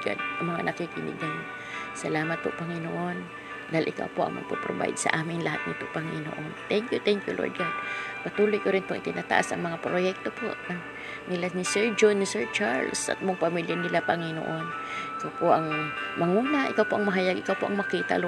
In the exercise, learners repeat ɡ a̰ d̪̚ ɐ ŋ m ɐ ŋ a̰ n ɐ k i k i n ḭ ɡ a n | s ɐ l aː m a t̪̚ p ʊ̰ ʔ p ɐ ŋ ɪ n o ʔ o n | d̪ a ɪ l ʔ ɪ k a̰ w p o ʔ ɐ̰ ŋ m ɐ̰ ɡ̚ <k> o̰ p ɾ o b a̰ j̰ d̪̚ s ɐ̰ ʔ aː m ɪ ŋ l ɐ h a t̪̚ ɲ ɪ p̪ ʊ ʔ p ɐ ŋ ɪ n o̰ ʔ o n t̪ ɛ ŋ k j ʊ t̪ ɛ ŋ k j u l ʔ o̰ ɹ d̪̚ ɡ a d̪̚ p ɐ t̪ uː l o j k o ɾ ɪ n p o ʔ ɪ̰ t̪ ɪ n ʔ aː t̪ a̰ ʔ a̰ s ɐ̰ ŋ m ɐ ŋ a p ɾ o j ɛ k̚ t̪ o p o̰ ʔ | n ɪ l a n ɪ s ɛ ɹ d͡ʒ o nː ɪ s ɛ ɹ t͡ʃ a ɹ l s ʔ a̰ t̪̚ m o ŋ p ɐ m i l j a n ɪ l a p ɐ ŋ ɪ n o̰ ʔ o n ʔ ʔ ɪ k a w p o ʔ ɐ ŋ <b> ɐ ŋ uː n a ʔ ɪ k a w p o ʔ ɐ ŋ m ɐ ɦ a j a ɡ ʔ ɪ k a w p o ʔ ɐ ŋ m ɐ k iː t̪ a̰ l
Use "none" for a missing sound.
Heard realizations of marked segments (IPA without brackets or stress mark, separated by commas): p, m